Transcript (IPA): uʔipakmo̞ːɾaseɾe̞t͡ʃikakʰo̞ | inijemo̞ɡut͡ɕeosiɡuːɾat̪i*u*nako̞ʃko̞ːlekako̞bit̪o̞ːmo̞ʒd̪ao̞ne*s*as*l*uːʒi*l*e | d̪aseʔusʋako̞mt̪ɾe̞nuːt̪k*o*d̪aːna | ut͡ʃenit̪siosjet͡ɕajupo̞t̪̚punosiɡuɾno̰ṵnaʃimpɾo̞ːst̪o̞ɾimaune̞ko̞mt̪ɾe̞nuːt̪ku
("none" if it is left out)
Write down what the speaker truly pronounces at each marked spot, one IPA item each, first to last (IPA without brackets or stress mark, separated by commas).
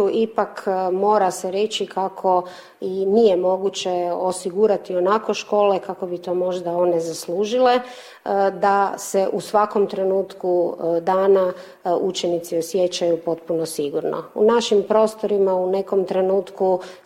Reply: o, z, l, l, u